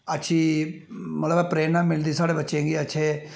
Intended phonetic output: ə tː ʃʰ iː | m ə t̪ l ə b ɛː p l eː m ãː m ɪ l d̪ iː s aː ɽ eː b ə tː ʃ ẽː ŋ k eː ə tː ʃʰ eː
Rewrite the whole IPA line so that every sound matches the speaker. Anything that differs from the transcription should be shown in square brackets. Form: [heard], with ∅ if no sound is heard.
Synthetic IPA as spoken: ə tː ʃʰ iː | m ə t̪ l ə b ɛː p [ɾ] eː [n] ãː m ɪ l d̪ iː s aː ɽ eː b ə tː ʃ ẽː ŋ [ɡ] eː ə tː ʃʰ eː